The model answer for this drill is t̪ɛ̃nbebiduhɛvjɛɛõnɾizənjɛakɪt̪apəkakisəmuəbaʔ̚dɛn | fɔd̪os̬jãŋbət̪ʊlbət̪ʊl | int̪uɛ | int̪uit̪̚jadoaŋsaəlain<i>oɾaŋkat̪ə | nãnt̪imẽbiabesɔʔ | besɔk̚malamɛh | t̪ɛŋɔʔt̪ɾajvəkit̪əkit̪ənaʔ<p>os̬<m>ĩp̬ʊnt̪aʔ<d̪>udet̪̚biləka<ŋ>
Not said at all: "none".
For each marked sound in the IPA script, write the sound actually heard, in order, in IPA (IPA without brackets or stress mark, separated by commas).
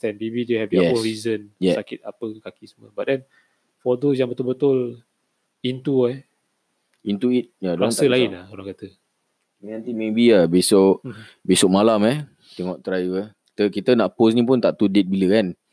a, p, n, t̪, n